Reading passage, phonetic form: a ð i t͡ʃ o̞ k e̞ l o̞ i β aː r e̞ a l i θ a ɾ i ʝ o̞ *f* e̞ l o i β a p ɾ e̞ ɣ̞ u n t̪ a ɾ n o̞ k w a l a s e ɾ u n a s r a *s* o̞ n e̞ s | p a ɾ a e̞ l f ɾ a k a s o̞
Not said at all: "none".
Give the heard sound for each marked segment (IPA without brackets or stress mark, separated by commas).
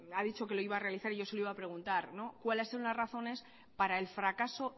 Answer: s, θ